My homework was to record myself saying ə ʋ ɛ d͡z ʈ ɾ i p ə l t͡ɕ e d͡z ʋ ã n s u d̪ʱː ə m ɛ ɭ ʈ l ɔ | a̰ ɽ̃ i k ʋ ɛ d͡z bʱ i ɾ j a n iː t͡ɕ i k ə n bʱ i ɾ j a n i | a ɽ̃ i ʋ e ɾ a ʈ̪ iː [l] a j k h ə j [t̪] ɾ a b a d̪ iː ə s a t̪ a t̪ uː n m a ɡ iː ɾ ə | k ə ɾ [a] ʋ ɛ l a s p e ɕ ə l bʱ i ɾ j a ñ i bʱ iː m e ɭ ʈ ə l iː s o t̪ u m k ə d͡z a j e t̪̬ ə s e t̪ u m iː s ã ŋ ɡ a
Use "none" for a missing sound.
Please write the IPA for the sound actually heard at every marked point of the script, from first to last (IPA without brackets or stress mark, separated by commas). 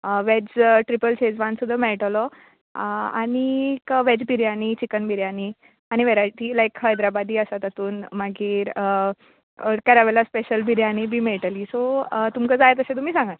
l, d̪, a